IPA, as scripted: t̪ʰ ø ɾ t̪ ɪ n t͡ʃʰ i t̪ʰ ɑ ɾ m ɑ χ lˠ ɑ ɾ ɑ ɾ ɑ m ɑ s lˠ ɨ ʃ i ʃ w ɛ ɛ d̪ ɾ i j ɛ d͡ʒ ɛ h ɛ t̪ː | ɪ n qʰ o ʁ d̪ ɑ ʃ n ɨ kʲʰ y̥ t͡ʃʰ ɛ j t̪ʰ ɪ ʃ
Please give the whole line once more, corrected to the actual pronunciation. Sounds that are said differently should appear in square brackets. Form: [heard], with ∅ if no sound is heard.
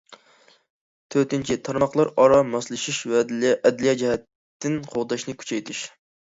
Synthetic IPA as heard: t̪ʰ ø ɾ t̪ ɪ n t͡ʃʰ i t̪ʰ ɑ ɾ m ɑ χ lˠ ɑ ɾ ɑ ɾ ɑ m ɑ s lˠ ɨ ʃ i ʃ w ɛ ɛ d̪ [l] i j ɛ d͡ʒ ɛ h ɛ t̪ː | ɪ n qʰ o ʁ d̪ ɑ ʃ n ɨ kʲʰ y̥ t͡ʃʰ ɛ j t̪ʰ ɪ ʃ